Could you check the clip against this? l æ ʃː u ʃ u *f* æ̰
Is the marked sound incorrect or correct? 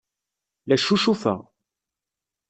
correct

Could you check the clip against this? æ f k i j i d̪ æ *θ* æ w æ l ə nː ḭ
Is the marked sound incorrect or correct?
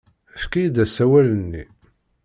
incorrect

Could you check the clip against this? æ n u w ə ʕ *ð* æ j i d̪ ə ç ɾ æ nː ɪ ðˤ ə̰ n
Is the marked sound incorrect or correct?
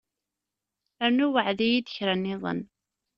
correct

